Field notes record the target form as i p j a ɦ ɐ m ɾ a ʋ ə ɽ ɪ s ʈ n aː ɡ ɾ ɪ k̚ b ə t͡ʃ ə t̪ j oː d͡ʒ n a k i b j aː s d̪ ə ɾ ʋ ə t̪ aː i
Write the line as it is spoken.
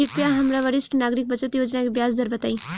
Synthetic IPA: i p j a ɦ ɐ m ɾ a ʋ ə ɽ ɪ s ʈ n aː ɡ ɾ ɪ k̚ b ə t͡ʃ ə t̪ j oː d͡ʒ n a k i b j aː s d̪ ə ɾ ʋ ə t̪ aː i

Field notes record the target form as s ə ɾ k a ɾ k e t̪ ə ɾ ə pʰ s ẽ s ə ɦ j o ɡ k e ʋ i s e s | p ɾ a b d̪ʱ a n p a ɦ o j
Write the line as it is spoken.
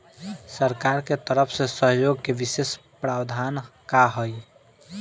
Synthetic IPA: s ə ɾ k a ɾ k e t̪ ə ɾ ə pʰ s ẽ s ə ɦ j o ɡ k e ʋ i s e s | p ɾ a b d̪ʱ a n k a ɦ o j

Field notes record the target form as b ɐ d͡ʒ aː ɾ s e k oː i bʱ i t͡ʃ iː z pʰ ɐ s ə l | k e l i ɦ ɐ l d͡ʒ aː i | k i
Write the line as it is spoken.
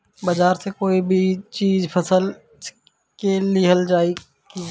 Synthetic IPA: b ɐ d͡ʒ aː ɾ s e k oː i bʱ i t͡ʃ iː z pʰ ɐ s ə l | k e l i ɦ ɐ l d͡ʒ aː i | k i

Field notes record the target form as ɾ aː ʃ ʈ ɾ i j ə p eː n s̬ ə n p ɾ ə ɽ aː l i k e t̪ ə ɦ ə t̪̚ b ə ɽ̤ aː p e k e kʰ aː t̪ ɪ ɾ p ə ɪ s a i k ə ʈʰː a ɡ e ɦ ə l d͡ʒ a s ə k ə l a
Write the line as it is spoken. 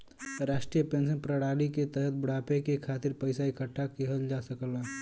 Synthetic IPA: ɾ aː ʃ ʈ ɾ i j ə p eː n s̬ ə n p ɾ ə ɽ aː l i k e t̪ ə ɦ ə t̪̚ b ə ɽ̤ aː p e k e kʰ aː t̪ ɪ ɾ p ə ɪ s a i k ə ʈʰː a k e ɦ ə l d͡ʒ a s ə k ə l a

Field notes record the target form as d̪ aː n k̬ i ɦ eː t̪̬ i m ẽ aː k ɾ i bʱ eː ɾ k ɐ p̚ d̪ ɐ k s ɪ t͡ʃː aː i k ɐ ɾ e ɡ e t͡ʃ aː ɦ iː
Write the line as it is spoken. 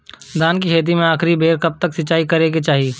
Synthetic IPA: d̪ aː n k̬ i ɦ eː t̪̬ i m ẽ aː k ɾ i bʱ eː ɾ k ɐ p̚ t̪ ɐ k s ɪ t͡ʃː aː i k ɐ ɾ e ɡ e t͡ʃ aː ɦ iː

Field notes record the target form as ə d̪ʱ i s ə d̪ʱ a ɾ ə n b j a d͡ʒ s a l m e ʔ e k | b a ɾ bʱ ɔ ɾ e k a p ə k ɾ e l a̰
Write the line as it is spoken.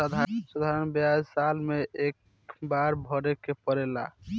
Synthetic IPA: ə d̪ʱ a s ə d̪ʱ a ɾ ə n b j a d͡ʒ s a l m e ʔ e k | b a ɾ bʱ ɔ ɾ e k e p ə ɾ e l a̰

